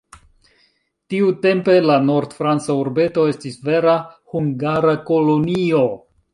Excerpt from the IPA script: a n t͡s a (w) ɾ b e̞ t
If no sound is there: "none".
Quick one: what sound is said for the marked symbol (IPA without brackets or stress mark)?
u